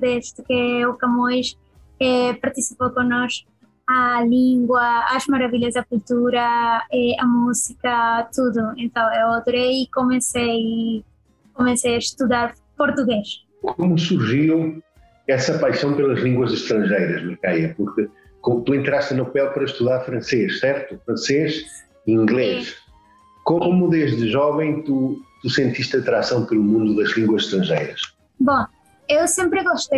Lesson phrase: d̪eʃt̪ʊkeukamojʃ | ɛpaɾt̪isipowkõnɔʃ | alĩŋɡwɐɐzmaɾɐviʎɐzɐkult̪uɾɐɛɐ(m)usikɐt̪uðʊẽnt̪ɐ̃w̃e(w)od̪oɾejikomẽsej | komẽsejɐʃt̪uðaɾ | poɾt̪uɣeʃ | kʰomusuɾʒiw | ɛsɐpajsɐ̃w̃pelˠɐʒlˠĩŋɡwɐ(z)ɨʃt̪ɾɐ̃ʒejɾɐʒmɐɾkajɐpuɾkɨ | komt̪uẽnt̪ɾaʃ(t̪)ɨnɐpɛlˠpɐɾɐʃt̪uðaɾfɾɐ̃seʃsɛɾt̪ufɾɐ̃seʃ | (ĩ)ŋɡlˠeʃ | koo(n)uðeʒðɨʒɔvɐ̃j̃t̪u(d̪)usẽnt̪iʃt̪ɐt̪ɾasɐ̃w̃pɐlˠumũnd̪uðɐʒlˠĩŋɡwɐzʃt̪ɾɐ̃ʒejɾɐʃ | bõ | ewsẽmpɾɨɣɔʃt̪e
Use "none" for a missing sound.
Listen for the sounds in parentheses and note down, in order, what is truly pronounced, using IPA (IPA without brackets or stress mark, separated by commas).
m, w, z, t̪, ĩ, m, t̪